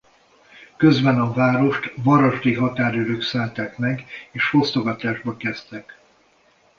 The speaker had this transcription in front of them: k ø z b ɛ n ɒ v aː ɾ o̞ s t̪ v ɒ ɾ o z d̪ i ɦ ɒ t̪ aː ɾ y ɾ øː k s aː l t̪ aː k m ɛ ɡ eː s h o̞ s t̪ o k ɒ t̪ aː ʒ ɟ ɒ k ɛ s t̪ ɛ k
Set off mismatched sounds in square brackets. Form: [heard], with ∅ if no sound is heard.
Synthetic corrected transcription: k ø z b ɛ n ɒ v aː ɾ o̞ [ʃ] t̪ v ɒ ɾ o [ʒ] d̪ i ɦ ɒ t̪ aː ɾ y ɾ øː k s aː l t̪ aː k m ɛ ɡ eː [ʃ] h o̞ s t̪ o [ɡ] ɒ t̪ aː ʒ [b] ɒ k ɛ s t̪ ɛ k

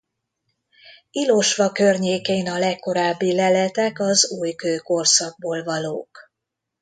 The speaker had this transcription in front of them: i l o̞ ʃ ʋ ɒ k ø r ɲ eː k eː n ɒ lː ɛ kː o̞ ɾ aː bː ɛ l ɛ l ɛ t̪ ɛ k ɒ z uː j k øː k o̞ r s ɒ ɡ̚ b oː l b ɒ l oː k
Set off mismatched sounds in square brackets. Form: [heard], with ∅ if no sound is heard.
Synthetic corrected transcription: i l o̞ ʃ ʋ ɒ k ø r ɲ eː k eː n ɒ [l] ɛ kː o̞ ɾ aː bː [i] l ɛ l ɛ t̪ ɛ k ɒ z uː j k øː k o̞ r s ɒ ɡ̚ b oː l [v] ɒ l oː k

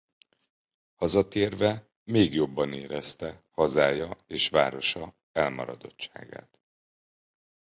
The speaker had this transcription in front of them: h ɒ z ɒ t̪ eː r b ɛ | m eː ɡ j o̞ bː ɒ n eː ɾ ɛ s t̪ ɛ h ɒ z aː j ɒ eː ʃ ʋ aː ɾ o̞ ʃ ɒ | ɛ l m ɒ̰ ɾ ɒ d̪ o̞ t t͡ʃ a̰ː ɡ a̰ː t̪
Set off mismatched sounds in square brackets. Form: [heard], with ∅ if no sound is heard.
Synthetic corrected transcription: h ɒ z ɒ t̪ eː r [v] ɛ | m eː ɡ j o̞ bː ɒ n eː ɾ ɛ s t̪ ɛ h ɒ z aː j ɒ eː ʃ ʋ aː ɾ o̞ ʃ ɒ | ɛ l m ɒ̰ ɾ ɒ d̪ o̞ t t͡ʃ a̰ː ɡ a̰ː t̪

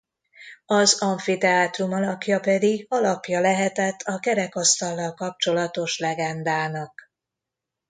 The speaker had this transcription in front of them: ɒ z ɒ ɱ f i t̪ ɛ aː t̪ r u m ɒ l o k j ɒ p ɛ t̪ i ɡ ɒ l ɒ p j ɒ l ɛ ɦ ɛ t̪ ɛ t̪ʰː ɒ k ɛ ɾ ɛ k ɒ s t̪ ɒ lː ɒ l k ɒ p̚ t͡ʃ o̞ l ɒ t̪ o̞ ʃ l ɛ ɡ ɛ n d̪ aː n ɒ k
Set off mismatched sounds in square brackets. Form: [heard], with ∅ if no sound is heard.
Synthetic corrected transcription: ɒ z ɒ ɱ f i t̪ ɛ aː t̪ r u m ɒ l [ɒ] k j ɒ p ɛ [d̪] i ɡ ɒ l ɒ p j ɒ l ɛ ɦ ɛ t̪ ɛ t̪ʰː ɒ k ɛ ɾ ɛ k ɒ s t̪ ɒ lː ɒ l k ɒ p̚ t͡ʃ o̞ l ɒ t̪ o̞ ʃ l ɛ ɡ ɛ n d̪ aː n ɒ k

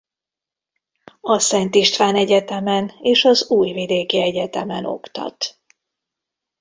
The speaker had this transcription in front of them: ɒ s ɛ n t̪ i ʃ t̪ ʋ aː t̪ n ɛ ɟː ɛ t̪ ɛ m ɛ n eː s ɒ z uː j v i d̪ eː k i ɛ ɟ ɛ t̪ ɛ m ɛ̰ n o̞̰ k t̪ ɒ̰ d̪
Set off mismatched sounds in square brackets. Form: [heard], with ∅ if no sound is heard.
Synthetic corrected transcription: ɒ s ɛ n t̪ i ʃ t̪ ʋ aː [∅] n ɛ [ɟ] ɛ t̪ ɛ m ɛ n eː [ʃ] ɒ z uː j v i d̪ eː k i ɛ ɟ ɛ t̪ ɛ m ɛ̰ n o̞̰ k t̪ ɒ̰ [t̪]

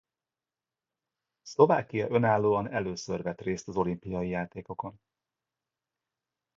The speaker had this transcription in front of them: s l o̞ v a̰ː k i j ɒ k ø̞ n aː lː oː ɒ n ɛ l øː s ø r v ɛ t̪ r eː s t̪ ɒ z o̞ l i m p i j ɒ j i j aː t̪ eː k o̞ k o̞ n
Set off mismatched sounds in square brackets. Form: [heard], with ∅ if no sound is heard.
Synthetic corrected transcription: s l o̞ v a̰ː k i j ɒ [ʔ] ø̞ n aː lː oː ɒ n ɛ l øː s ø r v ɛ t̪ r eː s t̪ ɒ z o̞ l i m p i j ɒ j i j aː t̪ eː k o̞ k o̞ n

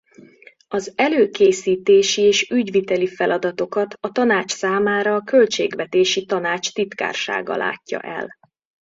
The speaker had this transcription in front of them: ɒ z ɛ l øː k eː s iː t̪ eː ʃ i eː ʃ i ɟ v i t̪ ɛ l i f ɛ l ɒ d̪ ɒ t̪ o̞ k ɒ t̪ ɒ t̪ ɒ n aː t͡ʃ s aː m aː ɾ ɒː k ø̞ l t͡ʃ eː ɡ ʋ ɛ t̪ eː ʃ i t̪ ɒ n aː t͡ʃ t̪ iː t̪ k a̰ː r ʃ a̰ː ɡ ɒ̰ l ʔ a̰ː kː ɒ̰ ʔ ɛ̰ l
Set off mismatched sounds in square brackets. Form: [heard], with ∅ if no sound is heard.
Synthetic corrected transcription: ɒ z ɛ l øː k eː s iː t̪ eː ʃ i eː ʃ [y] ɟ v i t̪ ɛ l i f ɛ l ɒ d̪ ɒ t̪ o̞ k ɒ t̪ ɒ t̪ ɒ n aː t͡ʃ s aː m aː ɾ ɒː k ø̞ l t͡ʃ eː ɡ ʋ ɛ t̪ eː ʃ i t̪ ɒ n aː t͡ʃ t̪ [i] t̪ k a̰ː r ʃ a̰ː ɡ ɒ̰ l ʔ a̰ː [cː] ɒ̰ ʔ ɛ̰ l

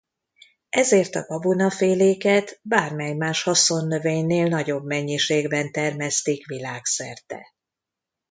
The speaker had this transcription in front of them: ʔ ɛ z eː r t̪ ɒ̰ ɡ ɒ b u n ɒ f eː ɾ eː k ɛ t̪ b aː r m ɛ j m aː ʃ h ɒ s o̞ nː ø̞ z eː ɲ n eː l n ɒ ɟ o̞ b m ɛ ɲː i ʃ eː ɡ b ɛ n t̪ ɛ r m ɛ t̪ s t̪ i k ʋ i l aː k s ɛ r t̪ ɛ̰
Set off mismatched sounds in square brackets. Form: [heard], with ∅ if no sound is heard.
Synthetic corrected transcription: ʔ ɛ z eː r t̪ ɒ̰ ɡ ɒ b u n ɒ f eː [l] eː k ɛ t̪ b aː r m ɛ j m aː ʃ h ɒ s o̞ nː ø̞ [v] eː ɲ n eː l n ɒ ɟ o̞ b m ɛ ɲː i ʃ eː ɡ b ɛ n t̪ ɛ r m ɛ [∅] s t̪ i k ʋ i l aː k s ɛ r t̪ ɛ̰

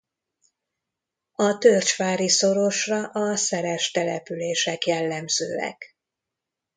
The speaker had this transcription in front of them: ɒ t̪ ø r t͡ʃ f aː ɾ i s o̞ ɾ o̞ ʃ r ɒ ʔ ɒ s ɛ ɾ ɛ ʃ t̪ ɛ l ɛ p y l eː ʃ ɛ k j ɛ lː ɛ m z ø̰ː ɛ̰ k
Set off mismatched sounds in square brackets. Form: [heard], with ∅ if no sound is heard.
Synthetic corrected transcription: ɒ t̪ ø r t͡ʃ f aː ɾ i s o̞ ɾ o̞ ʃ r ɒ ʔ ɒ s ɛ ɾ ɛ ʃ t̪ ɛ l ɛ p y l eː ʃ ɛ k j ɛ lː ɛ m z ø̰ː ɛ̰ k

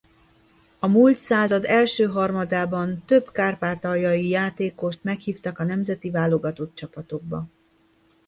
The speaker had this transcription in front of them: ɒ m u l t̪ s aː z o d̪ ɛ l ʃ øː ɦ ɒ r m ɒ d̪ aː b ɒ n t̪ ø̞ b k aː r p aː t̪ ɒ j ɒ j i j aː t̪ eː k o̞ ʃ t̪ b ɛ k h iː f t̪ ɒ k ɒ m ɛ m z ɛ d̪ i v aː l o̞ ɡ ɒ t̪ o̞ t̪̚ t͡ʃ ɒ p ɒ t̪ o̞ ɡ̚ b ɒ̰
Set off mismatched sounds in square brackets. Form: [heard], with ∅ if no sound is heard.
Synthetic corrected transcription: ɒ m u l t̪ s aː z [ɒ] d̪ ɛ l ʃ øː ɦ ɒ r m ɒ d̪ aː b ɒ n t̪ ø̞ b k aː r p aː t̪ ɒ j ɒ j i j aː t̪ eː k o̞ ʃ t̪ [m] ɛ k h iː f t̪ ɒ k ɒ [n] ɛ m z ɛ [t̪] i v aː l o̞ ɡ ɒ t̪ o̞ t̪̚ t͡ʃ ɒ p ɒ t̪ o̞ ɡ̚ b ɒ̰

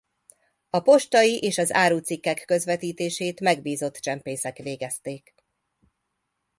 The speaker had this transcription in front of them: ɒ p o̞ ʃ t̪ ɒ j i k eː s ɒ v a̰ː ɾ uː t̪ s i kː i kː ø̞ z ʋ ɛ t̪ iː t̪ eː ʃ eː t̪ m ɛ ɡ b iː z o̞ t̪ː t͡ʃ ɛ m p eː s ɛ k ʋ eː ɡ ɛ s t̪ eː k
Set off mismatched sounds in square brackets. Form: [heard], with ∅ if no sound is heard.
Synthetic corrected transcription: ɒ p o̞ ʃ t̪ ɒ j i [ʔ] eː [ʃ] ɒ [z] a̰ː ɾ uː t̪ s i kː [ɛ] kː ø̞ z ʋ ɛ t̪ iː t̪ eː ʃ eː t̪ m ɛ ɡ b iː z o̞ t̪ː t͡ʃ ɛ m p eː s ɛ k ʋ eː ɡ ɛ s t̪ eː k

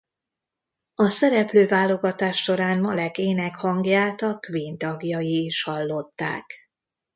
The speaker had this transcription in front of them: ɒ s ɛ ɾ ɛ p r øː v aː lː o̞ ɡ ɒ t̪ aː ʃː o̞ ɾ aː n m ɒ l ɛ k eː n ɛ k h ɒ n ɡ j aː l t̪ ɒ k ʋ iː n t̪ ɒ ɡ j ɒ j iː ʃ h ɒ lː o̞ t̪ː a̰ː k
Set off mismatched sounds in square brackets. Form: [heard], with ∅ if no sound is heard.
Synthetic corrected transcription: ɒ s ɛ ɾ ɛ p [l] øː v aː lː o̞ ɡ ɒ t̪ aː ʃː o̞ ɾ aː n m ɒ l ɛ k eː n ɛ k h ɒ [ŋ] ɡ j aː l t̪ ɒ k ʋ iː n t̪ ɒ ɡ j ɒ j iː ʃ h ɒ lː o̞ t̪ː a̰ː k

